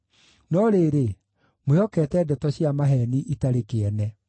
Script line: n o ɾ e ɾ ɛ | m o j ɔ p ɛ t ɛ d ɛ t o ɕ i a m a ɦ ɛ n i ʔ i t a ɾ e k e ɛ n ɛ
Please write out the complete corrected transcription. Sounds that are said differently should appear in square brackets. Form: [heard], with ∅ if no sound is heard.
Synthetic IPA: n [ɔ] ɾ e ɾ [e] | m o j ɔ [k] ɛ t ɛ d ɛ t [ɔ] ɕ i a m a ɦ ɛ n i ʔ i t a ɾ e k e ɛ n ɛ